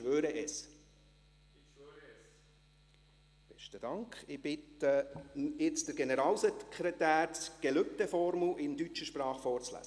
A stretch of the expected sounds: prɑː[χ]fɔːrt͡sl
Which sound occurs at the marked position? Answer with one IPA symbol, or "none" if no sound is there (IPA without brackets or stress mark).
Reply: χ